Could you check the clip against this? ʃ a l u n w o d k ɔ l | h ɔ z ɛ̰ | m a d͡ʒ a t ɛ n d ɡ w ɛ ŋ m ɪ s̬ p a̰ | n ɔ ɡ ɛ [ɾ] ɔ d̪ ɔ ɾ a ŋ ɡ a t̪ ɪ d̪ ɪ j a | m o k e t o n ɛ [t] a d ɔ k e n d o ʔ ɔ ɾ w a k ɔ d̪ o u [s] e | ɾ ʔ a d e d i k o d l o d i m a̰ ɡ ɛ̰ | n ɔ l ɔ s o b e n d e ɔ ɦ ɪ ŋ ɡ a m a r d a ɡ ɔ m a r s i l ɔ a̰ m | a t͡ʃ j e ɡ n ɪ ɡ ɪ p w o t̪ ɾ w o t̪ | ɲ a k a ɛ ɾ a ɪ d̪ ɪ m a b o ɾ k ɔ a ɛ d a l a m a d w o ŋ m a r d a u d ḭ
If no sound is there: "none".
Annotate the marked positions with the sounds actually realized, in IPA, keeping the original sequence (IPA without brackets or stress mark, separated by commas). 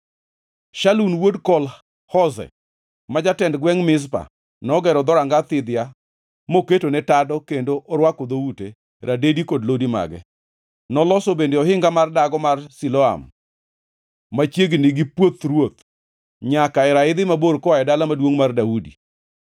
ɾ, t, t